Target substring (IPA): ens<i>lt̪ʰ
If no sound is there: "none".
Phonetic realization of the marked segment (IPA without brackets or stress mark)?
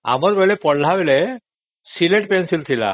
i